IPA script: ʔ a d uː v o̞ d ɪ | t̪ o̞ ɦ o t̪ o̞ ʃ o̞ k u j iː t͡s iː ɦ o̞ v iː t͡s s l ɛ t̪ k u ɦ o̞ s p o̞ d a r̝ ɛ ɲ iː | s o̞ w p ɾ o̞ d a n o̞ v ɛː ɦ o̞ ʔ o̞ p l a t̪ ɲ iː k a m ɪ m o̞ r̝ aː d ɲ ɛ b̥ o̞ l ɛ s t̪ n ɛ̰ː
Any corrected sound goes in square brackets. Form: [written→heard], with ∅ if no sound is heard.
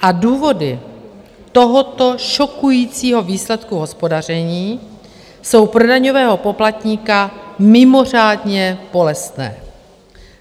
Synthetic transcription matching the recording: ʔ a d uː v o̞ d ɪ | t̪ o̞ ɦ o t̪ o̞ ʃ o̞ k u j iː t͡s iː ɦ o̞ v iː [t͡s→∅] s l ɛ t̪ k u ɦ o̞ s p o̞ d a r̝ ɛ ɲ iː | s o̞ w p ɾ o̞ d a [n→ɲ] o̞ v ɛː ɦ o̞ [ʔ→p] o̞ p l a t̪ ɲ iː k a m ɪ m o̞ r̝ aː d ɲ ɛ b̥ o̞ l ɛ s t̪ n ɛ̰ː